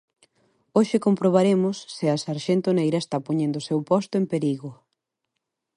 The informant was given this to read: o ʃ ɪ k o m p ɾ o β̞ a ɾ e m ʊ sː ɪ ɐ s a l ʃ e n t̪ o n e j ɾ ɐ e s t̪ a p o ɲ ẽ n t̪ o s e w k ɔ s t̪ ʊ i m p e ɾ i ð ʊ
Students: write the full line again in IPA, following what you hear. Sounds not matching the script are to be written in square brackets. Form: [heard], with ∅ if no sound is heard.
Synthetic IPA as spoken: o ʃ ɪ k o m p ɾ o β̞ a ɾ e m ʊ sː ɪ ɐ s a [ɾ] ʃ e n t̪ o n e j ɾ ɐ e s t̪ a p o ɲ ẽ n [d̪] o s e w [p] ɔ s t̪ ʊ [e] m p e ɾ i [ɣ] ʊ